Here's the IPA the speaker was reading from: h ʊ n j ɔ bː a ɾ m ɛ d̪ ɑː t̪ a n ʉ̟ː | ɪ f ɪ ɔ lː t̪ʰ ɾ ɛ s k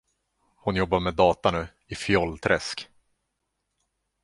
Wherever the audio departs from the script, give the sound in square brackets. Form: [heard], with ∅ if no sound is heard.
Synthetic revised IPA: h ʊ n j ɔ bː a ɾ m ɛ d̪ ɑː t̪ a n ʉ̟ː | ɪ f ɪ ɔ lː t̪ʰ ɾ ɛ s k